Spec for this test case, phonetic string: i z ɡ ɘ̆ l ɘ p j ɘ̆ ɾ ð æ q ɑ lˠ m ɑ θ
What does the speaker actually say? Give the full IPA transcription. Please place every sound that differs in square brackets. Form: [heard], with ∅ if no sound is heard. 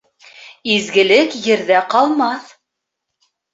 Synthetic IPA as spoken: i z ɡ ɘ̆ l ɘ [k] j ɘ̆ ɾ ð æ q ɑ lˠ m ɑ θ